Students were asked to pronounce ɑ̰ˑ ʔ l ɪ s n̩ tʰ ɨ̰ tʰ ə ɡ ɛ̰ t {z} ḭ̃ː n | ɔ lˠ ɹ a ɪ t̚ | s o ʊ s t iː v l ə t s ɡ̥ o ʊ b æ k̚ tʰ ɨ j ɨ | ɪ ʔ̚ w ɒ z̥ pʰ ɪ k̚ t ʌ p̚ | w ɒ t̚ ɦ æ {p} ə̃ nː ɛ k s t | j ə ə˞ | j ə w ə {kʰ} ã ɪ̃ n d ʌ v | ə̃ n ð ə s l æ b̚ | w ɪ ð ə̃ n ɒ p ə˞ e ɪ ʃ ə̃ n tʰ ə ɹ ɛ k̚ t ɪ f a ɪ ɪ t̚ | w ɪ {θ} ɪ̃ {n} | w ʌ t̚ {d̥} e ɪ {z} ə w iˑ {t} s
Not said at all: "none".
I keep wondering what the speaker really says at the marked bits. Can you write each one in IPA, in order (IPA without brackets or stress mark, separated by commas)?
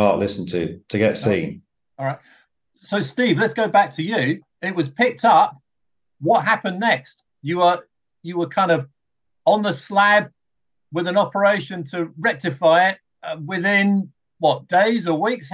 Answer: s, p, kʰ, ð, n, d̥, z, k